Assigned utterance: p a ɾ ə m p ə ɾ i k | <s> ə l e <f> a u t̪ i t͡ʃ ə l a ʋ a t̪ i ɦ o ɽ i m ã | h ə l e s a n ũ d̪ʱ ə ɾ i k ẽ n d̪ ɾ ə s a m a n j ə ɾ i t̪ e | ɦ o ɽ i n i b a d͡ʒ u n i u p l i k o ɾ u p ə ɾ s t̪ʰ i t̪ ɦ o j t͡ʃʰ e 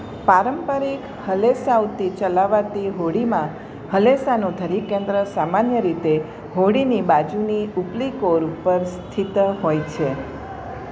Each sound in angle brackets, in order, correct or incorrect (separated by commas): incorrect, incorrect